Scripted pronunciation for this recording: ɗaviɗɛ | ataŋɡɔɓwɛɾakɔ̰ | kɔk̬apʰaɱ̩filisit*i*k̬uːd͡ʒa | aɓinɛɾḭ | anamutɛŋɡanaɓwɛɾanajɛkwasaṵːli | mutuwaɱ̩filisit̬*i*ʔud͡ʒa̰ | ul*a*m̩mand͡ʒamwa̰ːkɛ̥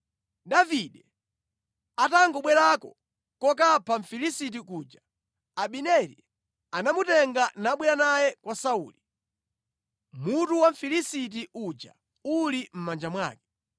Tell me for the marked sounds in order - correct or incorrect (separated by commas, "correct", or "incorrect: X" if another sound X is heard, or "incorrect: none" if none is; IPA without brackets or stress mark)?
correct, correct, incorrect: i